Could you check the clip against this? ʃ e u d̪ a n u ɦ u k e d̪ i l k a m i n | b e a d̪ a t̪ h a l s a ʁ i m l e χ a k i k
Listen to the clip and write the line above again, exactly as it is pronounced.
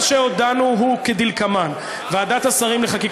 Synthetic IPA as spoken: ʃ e o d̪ a n u ɦ u k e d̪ i l k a m a n | v e a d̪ a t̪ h a s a ʁ i m l e χ a k i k